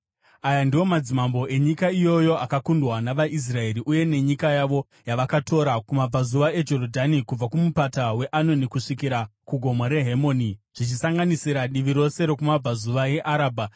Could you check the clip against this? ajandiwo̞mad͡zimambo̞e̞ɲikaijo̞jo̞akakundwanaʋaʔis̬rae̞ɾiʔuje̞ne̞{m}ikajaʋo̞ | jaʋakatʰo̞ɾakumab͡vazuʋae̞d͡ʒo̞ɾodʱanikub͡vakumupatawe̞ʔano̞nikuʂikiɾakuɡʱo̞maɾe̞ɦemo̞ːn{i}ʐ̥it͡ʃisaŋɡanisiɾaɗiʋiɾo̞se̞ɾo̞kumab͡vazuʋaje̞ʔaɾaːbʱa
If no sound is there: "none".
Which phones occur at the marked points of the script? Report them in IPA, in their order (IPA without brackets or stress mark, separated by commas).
ɲ, i